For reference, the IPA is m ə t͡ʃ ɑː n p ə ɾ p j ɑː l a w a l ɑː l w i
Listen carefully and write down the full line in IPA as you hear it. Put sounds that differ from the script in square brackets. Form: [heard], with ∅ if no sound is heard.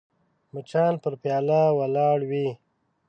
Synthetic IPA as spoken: m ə t͡ʃ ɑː n p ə ɾ p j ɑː l a w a l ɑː [ɽ] w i